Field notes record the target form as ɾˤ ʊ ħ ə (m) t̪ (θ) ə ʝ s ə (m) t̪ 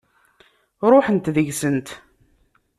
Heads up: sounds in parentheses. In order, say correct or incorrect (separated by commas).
incorrect, incorrect, incorrect